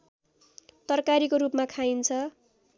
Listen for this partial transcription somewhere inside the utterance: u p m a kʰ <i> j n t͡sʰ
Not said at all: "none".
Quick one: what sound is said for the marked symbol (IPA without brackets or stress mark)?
a